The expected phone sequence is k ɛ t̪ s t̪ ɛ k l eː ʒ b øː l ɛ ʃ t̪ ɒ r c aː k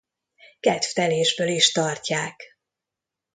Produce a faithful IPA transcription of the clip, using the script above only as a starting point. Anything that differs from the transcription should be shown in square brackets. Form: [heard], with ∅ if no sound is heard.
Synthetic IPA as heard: k ɛ t̪ [f] t̪ ɛ [∅] l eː ʒ b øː l [i] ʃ t̪ ɒ r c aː k